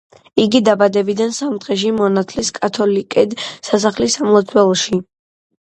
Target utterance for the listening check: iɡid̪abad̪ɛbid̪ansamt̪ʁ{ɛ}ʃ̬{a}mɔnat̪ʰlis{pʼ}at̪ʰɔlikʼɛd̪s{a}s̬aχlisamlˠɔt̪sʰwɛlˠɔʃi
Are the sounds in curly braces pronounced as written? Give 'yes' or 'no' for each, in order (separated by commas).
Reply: yes, no, no, yes